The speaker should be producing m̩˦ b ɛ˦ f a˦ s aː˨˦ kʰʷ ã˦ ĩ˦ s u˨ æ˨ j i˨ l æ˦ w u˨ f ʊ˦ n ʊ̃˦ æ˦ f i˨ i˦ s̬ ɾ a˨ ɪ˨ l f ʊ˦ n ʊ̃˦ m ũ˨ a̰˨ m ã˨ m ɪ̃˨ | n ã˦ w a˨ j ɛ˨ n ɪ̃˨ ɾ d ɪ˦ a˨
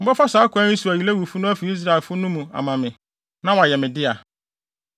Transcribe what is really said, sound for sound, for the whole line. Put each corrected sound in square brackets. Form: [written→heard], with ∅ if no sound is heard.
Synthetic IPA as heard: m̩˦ b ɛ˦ f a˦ s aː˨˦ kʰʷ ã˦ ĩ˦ s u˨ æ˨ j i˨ l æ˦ w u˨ f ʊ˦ n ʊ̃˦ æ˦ f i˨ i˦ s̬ ɾ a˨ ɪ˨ l f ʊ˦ n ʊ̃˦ m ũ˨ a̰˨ m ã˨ m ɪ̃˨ | n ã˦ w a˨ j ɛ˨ [n→m] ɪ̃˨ [ɾ→∅] d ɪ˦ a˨